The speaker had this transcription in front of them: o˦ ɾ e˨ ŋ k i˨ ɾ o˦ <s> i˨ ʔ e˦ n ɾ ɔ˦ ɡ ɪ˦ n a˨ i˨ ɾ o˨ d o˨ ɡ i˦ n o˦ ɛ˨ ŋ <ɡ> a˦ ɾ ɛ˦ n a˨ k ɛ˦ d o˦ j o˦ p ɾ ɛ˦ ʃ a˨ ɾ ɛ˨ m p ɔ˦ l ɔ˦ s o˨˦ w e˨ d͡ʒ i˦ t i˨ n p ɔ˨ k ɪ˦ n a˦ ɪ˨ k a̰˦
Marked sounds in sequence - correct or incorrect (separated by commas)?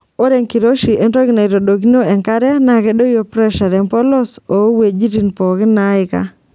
incorrect, incorrect